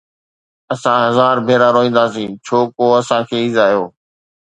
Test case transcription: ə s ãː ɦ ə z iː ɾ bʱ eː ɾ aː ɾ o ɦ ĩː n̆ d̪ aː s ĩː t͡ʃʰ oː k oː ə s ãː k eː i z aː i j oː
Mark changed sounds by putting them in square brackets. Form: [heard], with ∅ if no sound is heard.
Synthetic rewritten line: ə s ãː ɦ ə z [aː] ɾ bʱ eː ɾ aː ɾ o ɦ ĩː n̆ d̪ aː s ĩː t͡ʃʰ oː k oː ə s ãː [kʰ] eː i z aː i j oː